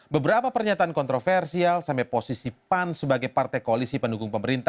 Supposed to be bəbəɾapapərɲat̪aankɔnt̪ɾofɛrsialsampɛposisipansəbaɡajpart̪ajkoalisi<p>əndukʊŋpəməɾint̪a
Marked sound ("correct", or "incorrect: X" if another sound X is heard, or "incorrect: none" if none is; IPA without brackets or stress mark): correct